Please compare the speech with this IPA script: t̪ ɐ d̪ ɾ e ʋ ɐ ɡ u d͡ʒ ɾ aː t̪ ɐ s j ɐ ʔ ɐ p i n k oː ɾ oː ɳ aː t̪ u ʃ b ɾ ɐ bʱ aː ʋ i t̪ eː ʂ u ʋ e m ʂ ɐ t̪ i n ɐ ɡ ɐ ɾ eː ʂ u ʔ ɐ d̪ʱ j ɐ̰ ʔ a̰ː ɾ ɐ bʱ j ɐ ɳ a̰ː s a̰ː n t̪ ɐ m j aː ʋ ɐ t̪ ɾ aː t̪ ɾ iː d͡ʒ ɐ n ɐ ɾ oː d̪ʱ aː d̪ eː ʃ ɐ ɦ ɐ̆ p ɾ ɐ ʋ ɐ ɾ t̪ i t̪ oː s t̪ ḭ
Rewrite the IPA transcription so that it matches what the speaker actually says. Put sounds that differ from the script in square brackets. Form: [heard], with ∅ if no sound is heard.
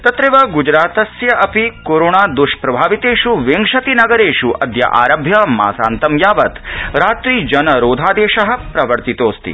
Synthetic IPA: t̪ ɐ [t̪] ɾ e ʋ ɐ ɡ u d͡ʒ ɾ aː t̪ ɐ s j ɐ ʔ ɐ p i [∅] k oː ɾ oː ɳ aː [d̪] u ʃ [p] ɾ ɐ bʱ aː ʋ i t̪ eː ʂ u ʋ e [ŋ] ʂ ɐ t̪ i n ɐ ɡ ɐ ɾ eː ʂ u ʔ ɐ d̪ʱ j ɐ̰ ʔ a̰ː ɾ ɐ bʱ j ɐ [m] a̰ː s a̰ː n t̪ ɐ m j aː ʋ ɐ t̪ ɾ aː t̪ ɾ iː d͡ʒ ɐ n ɐ ɾ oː d̪ʱ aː d̪ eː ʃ ɐ ɦ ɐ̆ p ɾ ɐ ʋ ɐ ɾ t̪ i t̪ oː s t̪ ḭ